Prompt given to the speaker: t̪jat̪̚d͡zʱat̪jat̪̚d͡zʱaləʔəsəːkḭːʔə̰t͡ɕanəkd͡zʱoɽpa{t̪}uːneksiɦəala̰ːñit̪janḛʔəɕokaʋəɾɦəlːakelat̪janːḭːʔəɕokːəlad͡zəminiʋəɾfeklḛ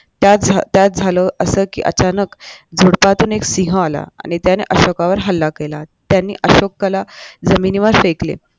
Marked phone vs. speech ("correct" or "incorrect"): correct